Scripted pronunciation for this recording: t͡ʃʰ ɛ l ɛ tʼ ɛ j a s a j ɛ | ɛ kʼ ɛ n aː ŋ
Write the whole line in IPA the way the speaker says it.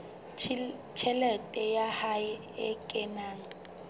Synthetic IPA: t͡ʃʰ ɛ l ɛ tʼ ɛ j a h a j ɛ | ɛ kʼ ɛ n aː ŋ